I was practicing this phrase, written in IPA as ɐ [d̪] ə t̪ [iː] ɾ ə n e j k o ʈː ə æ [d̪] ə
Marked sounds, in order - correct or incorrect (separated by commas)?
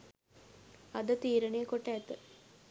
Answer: correct, correct, incorrect